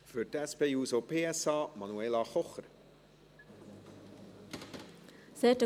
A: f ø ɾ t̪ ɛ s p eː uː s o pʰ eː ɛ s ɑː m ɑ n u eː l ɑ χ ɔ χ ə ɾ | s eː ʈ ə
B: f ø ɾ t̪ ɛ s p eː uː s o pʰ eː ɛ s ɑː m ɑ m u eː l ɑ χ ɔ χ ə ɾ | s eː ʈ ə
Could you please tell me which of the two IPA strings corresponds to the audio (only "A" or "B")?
A